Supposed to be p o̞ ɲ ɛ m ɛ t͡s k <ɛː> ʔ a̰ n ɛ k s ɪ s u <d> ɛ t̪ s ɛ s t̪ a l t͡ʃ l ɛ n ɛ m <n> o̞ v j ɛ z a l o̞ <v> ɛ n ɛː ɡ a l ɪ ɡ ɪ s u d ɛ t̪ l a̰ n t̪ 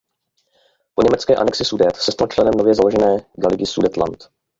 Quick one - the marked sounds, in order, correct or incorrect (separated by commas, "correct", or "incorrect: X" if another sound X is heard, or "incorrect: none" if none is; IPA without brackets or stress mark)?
correct, correct, correct, incorrect: ʒ